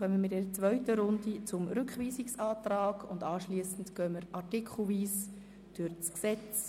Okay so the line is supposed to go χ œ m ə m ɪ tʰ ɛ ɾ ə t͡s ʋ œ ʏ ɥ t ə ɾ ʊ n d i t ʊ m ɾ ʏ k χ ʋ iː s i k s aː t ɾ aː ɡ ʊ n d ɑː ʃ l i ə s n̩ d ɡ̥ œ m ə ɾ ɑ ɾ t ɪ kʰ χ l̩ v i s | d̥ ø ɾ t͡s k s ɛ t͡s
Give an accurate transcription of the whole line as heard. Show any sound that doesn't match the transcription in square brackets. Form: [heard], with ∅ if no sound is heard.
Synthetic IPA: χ œ m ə m ɪ [t] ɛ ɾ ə t͡s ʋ œ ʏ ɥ t ə ɾ ʊ n d i [t͡s] ʊ m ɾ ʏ k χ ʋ iː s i k s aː t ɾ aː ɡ ʊ n d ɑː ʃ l i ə s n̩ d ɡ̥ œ m ə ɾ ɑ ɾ t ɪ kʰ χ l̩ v [iː] s | d̥ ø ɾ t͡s k s ɛ t͡s